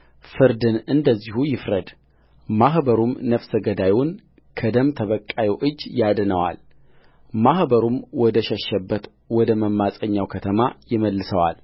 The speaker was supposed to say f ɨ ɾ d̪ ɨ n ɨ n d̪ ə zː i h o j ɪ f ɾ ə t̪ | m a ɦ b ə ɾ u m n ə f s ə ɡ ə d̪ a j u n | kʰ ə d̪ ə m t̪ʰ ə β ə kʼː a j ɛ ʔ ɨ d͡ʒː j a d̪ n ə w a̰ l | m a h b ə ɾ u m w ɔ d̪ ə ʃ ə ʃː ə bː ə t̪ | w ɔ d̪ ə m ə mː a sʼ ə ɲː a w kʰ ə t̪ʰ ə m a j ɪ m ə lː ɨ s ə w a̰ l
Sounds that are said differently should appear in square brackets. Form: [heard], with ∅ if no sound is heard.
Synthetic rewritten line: f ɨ ɾ d̪ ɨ n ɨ n d̪ ə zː i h [u] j ɪ f ɾ ə [d̪] | m a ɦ b ə ɾ u m n ə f s ə ɡ ə d̪ a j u n | kʰ ə d̪ ə m t̪ʰ ə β ə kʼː a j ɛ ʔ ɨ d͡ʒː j a d̪ n ə w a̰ l | m a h b ə ɾ u m w ɔ d̪ ə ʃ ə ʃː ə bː ə t̪ | w ɔ d̪ ə m ə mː a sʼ ə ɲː a w kʰ ə t̪ʰ ə m a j ɪ m ə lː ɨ s ə w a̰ l